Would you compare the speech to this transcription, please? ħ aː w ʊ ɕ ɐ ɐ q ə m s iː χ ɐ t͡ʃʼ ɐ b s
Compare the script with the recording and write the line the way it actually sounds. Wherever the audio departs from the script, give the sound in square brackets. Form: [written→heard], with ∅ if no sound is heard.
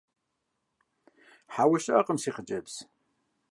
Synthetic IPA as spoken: ħ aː w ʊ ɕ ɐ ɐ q ə m s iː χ [ɐ→ə] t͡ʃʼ ɐ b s